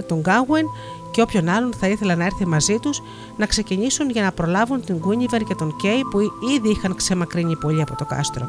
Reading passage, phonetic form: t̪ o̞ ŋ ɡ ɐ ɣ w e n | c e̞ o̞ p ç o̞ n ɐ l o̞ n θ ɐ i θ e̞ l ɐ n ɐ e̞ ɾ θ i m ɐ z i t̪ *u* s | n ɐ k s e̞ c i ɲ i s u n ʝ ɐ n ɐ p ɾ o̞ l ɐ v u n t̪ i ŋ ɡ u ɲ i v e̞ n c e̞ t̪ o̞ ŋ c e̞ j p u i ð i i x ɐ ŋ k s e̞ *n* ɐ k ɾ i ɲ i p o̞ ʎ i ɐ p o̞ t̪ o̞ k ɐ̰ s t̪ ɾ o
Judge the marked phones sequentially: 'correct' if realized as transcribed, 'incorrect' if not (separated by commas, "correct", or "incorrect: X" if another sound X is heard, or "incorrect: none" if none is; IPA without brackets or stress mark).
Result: correct, incorrect: m